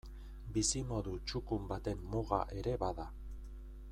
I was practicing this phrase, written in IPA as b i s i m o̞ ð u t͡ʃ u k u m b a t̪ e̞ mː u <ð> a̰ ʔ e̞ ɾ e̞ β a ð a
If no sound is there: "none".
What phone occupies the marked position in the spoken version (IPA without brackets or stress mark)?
ɣ